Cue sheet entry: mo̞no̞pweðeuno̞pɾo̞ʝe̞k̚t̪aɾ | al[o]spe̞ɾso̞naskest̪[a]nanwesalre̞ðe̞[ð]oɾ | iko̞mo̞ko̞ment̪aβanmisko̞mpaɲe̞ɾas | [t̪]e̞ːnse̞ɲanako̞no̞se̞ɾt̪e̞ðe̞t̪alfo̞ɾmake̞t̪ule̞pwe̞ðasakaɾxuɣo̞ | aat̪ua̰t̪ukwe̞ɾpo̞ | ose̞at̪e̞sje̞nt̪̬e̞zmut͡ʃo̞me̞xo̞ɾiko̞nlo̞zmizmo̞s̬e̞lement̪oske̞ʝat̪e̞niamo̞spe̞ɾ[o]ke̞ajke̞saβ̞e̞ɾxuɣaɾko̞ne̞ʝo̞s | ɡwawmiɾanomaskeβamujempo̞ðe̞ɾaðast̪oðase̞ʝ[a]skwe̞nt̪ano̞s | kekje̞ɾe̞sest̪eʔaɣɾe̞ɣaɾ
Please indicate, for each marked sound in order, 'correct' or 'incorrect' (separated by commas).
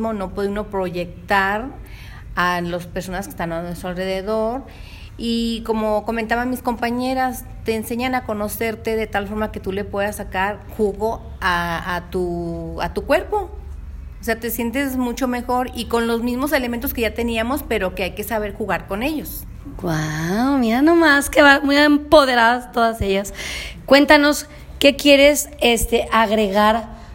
correct, correct, correct, correct, correct, correct